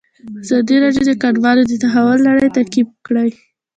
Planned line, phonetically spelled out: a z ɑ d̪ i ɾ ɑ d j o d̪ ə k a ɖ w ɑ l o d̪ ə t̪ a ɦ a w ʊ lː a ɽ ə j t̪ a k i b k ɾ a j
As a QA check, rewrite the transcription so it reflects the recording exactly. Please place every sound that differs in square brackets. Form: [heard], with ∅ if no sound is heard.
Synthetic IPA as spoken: a z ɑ d̪ i ɾ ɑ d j o d̪ ə k a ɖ w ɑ l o d̪ ə t̪ a ɦ a w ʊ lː a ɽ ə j t̪ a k i b k [ɽ] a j